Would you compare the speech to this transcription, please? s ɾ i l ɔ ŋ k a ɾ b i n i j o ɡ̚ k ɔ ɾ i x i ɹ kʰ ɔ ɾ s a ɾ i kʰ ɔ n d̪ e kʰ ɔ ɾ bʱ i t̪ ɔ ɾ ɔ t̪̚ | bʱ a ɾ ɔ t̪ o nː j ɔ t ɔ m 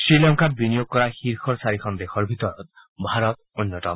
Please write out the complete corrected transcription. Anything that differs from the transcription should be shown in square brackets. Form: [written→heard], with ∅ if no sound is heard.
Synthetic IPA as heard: s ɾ i l ɔ ŋ k a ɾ b i n i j o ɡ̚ k ɔ ɾ [i→a] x i [ɹ→ɾ] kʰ ɔ ɾ s a ɾ i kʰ ɔ n d̪ e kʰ ɔ ɾ bʱ i t̪ ɔ ɾ ɔ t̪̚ | bʱ a ɾ ɔ t̪ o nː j ɔ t ɔ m